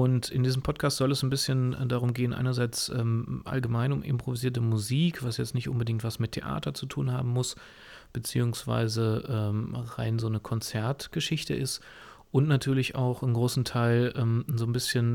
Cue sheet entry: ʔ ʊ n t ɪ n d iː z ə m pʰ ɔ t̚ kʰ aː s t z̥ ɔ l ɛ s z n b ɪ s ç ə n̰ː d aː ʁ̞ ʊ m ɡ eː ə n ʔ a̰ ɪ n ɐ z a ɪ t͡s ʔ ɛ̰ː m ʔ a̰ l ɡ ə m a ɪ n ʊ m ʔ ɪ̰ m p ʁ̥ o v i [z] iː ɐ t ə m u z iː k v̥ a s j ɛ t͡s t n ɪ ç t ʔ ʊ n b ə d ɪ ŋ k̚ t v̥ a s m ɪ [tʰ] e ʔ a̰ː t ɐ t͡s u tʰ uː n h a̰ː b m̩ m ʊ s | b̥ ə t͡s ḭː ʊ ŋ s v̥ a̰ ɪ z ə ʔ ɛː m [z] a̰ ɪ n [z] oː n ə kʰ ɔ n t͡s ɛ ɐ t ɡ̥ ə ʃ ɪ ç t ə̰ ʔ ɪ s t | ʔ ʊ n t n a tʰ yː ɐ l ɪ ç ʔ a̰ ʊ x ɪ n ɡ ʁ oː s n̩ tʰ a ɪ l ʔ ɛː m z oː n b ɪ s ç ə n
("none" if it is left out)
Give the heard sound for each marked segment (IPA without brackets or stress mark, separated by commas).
z, tʰ, ʁ, z